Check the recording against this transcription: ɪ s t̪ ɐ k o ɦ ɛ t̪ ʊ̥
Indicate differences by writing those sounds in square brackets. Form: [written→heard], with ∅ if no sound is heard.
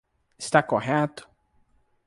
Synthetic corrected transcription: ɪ s t̪ [ɐ→a] k o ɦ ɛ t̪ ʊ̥